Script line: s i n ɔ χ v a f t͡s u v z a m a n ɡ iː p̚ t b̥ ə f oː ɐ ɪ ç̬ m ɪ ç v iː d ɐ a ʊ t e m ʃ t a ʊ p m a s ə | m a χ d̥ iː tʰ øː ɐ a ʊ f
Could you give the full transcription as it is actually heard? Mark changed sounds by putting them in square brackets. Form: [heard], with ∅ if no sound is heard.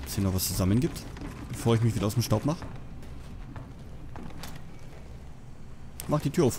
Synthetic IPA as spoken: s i n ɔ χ v a [s] t͡s u [∅] z a m [ə] n ɡ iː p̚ t b̥ ə f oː ɐ ɪ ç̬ m ɪ ç v iː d ɐ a ʊ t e m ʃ t a ʊ p m a [χ] ə | m a χ d̥ iː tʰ [yː] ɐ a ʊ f